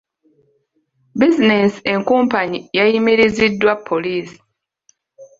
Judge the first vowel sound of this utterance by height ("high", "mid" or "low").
high